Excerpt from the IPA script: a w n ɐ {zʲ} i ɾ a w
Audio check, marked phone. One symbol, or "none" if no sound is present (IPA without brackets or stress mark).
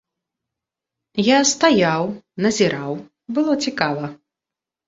zʲ